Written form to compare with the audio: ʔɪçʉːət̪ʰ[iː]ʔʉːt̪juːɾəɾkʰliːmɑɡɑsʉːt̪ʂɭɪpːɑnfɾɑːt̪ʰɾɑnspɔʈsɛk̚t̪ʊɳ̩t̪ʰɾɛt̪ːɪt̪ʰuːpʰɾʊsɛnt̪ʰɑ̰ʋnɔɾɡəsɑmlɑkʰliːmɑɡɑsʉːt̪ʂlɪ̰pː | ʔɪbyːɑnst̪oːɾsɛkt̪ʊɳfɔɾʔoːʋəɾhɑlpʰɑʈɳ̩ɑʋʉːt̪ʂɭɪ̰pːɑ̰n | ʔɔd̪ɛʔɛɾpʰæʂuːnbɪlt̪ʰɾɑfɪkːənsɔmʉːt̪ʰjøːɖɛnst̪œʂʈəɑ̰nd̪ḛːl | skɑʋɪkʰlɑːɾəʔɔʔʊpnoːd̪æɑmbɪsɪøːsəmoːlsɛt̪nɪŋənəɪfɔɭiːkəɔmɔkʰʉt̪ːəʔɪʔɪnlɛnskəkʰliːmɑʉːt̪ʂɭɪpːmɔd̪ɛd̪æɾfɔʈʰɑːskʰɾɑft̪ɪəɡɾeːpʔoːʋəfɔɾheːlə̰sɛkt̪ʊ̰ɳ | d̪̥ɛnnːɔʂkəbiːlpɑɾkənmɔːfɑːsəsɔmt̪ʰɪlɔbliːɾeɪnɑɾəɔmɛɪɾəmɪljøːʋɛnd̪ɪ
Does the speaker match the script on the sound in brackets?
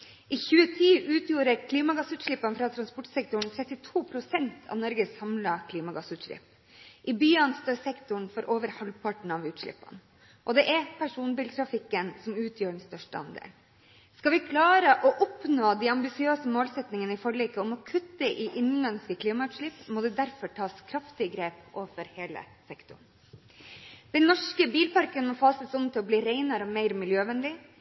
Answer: yes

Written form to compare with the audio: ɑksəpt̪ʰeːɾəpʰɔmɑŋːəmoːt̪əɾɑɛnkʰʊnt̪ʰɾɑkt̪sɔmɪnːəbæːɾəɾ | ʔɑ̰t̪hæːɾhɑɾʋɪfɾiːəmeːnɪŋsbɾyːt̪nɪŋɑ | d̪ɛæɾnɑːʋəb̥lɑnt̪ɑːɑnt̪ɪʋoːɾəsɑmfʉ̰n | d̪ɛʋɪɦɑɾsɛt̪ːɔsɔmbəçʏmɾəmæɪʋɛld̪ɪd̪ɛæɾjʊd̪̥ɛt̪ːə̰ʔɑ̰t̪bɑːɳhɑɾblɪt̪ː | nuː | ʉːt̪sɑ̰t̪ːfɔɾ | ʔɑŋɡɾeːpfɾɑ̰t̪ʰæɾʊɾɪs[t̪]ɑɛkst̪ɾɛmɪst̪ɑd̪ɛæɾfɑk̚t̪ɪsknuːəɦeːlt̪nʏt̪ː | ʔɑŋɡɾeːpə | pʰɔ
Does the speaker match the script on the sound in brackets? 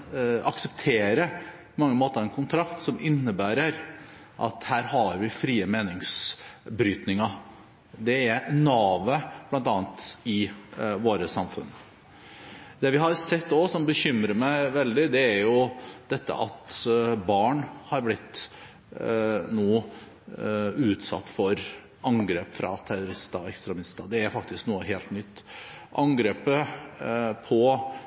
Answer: yes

